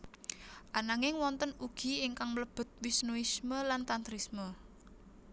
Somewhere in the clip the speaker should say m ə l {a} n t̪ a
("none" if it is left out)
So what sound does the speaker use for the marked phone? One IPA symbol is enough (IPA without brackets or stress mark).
a